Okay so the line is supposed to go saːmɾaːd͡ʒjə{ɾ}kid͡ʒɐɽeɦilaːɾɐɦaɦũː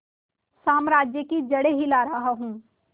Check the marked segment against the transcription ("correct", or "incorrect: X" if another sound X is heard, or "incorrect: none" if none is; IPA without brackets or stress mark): incorrect: none